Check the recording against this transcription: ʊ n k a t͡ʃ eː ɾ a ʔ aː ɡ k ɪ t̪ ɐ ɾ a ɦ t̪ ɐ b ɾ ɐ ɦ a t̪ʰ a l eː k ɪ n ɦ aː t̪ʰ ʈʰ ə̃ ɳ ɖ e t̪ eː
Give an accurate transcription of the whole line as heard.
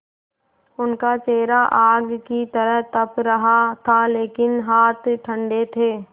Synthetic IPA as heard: ʊ n k a t͡ʃ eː ɾ a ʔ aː ɡ k i t̪ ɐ ɾ ə ɦ t̪ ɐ p ɾ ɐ ɦ a t̪ʰ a l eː k ɪ n ɦ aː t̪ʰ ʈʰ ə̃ ɳ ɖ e t̪ʰ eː